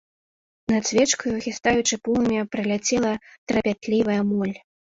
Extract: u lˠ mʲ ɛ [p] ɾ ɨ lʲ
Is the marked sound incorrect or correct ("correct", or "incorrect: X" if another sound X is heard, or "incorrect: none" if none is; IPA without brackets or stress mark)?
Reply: correct